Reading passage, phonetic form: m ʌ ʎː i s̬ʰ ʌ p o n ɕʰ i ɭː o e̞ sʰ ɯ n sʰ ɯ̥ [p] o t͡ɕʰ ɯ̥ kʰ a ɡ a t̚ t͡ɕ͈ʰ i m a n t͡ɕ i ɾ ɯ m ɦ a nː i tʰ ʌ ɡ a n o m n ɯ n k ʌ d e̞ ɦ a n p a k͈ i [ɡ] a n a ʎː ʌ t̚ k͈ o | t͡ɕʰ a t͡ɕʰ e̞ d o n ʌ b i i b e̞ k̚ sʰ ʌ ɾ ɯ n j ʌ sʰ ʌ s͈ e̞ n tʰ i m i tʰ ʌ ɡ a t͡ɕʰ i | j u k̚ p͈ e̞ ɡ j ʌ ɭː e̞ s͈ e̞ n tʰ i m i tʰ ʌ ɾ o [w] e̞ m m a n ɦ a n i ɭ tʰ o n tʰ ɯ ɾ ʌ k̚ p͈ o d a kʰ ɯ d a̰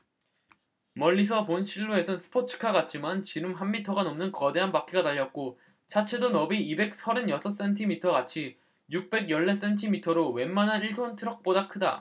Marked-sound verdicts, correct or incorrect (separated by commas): incorrect, correct, correct